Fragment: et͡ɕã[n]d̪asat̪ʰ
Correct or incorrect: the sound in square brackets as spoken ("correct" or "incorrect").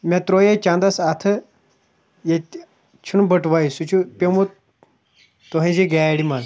correct